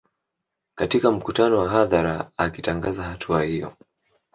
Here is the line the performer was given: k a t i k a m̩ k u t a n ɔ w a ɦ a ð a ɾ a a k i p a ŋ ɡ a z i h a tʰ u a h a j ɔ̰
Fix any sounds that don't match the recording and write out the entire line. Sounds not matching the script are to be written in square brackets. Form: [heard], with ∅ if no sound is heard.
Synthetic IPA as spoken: k a t i k a m̩ k u t a n ɔ w a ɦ a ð a ɾ a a k i [t] a ŋ ɡ a z [a] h a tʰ u a h [i] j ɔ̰